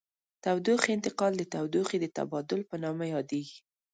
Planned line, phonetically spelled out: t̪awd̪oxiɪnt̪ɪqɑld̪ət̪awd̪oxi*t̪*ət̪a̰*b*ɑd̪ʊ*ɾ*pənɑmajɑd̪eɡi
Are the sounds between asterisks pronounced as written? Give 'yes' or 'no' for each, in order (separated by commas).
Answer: no, yes, no